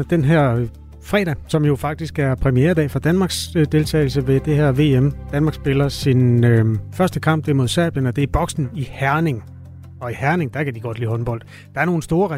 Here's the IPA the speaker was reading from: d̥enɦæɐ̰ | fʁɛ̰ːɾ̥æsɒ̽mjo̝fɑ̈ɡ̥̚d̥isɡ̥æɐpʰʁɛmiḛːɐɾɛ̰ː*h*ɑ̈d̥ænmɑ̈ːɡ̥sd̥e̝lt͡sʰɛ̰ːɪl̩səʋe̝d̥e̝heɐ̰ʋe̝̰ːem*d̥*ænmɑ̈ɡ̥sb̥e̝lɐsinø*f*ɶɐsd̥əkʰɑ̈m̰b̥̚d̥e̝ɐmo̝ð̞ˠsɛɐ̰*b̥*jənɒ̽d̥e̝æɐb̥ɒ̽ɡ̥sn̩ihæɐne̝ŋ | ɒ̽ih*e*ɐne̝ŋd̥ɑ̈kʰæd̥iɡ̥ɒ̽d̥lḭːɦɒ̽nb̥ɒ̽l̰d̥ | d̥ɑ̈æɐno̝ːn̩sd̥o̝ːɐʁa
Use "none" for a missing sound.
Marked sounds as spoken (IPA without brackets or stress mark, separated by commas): f, d̥, f, b̥, æ